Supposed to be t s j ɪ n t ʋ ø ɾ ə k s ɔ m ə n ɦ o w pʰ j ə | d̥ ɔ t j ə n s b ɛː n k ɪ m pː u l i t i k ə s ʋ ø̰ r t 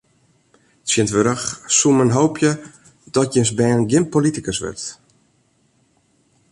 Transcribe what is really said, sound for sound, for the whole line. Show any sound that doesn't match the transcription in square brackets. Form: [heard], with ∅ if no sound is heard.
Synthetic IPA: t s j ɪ n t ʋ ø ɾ ə [x] s [u] m ə n ɦ o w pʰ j ə | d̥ ɔ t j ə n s b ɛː n [ɡ] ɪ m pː [o] l i t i k ə s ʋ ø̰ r t